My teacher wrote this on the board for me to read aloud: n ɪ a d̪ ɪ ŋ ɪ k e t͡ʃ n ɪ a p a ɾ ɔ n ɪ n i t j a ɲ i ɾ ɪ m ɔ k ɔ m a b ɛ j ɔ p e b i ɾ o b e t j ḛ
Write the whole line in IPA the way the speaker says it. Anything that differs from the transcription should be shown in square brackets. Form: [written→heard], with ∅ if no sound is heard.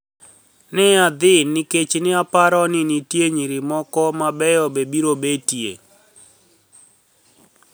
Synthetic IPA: n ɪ a d̪ ɪ [ŋ→n] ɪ k e t͡ʃ n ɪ a p a ɾ ɔ n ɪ n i t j [a→e] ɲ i ɾ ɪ m ɔ k ɔ m a b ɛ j ɔ [p→b] e b i ɾ o b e t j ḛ